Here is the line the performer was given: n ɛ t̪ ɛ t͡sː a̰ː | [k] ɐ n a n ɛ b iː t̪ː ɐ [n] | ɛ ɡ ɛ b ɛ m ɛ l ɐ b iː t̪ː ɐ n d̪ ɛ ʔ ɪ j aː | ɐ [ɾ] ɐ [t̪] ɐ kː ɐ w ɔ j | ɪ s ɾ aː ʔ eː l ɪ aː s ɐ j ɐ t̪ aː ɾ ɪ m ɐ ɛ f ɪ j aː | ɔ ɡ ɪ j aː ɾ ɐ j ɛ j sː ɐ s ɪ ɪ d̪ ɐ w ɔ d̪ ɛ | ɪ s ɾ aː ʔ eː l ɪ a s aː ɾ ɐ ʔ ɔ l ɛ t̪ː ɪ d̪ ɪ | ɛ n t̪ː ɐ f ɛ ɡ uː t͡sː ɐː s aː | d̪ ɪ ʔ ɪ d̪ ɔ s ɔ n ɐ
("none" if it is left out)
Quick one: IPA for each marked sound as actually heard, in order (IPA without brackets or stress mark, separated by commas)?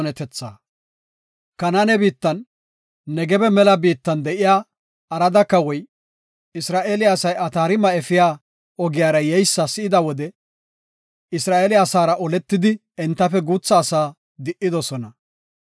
k, nː, ɾ, d̪